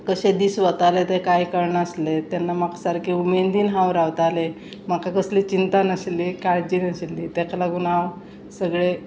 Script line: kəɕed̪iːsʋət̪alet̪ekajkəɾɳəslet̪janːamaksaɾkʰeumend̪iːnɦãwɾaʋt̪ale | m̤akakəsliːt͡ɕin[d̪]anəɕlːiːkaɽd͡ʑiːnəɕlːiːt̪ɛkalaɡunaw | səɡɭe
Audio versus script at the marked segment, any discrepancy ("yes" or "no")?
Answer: yes